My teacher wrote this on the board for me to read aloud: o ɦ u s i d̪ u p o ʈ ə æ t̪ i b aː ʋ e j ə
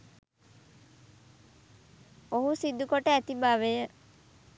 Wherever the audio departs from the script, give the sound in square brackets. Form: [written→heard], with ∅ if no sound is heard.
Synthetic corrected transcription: o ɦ u s i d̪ u [p→k] o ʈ ə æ t̪ i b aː ʋ e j ə

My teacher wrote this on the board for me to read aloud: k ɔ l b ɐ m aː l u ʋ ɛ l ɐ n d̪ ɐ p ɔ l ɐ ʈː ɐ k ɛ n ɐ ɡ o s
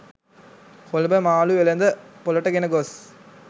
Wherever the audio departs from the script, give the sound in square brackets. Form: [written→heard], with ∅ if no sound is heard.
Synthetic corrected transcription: k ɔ l b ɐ m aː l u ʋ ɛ l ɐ n d̪ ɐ p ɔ l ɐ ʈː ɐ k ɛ n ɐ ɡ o s

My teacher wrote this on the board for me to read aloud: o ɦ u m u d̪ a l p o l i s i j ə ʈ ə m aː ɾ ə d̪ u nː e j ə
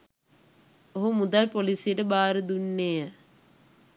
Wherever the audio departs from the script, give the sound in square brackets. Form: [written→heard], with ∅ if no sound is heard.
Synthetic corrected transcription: o ɦ u m u d̪ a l p o l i s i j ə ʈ ə [m→b] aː ɾ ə d̪ u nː e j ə

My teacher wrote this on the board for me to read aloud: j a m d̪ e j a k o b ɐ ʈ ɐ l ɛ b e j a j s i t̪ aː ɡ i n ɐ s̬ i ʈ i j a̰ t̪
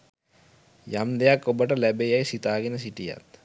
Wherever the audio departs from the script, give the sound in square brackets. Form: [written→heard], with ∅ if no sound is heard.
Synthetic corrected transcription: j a m d̪ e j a k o b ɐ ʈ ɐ l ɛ b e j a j s i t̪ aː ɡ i n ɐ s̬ i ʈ i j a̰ t̪

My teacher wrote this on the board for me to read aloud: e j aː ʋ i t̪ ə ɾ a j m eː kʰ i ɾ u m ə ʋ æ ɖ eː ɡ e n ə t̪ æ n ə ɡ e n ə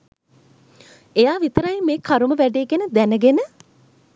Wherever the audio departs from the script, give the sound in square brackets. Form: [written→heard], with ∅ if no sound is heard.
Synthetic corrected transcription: e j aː ʋ i t̪ ə ɾ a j m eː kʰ [i→a] ɾ u m ə ʋ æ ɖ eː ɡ e n ə [t̪→d̪] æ n ə ɡ e n ə

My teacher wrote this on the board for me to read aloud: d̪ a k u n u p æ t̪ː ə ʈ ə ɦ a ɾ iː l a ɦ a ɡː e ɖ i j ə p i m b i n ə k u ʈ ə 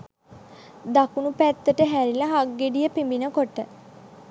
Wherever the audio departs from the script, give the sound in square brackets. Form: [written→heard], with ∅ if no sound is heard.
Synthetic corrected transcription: d̪ a k u n u p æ t̪ː ə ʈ ə ɦ [a→æ] ɾ [iː→i] l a ɦ a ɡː e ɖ i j ə p i m b i n ə k [u→o] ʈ ə

